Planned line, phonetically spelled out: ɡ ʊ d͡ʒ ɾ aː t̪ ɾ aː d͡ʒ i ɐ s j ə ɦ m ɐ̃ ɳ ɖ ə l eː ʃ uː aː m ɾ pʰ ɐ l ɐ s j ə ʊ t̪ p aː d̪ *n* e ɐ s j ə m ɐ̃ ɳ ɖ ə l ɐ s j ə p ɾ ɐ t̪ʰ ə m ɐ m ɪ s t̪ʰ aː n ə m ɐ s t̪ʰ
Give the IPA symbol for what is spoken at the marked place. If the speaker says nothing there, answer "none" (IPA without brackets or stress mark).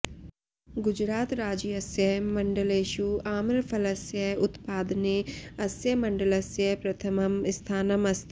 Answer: n